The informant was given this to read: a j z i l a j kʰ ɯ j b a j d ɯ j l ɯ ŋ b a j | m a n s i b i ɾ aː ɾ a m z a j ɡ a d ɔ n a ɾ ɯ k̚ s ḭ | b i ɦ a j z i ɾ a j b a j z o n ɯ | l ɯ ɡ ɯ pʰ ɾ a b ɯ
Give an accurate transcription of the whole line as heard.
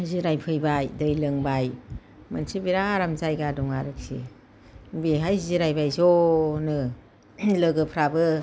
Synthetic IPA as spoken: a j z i ɾ a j pʰ ɯ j b a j d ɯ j l ɯ ŋ b a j | m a n s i b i ɾ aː ɾ a m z a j ɡ a d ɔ ŋ a ɾ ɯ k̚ s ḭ | b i ɦ a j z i ɾ a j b a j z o n ɯ | l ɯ ɡ ɯ pʰ ɾ a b ɯ